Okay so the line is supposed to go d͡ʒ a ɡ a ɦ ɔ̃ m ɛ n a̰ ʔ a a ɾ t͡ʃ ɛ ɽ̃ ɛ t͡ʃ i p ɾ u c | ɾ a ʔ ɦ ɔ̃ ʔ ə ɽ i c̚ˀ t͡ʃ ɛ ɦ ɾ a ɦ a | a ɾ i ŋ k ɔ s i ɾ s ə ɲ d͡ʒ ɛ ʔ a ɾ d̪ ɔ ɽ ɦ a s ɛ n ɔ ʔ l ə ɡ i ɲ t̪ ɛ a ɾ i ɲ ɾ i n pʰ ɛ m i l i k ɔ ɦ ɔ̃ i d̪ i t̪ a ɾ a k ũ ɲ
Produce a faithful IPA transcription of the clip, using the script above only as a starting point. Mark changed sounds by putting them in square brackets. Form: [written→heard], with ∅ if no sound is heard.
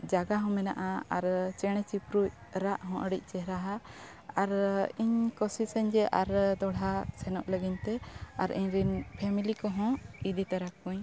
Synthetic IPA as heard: d͡ʒ a ɡ a ɦ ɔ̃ m ɛ n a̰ ʔ a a ɾ t͡ʃ ɛ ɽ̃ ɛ t͡ʃ i p ɾ u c | ɾ a ʔ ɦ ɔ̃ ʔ ə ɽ i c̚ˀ t͡ʃ ɛ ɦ ɾ a ɦ a | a ɾ i [ŋ→ɲ] k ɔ s i [ɾ→∅] s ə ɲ d͡ʒ ɛ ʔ a ɾ d̪ ɔ ɽ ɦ a s ɛ n ɔ ʔ l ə ɡ i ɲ t̪ ɛ a ɾ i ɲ ɾ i n pʰ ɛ m i l i k ɔ ɦ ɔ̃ i d̪ i t̪ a ɾ a k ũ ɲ